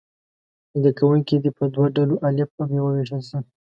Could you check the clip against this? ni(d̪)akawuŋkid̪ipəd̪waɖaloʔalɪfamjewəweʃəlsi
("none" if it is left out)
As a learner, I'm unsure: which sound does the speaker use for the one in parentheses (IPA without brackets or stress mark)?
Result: d̪